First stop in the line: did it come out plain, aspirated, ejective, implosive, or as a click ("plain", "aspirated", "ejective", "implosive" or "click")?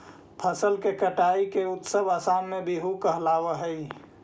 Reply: aspirated